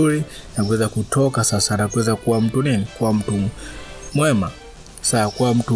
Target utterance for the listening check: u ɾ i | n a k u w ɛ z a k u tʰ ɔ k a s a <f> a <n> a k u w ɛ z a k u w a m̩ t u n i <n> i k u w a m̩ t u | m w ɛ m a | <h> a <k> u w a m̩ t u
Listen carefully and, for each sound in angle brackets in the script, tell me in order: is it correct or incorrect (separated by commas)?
incorrect, correct, correct, incorrect, correct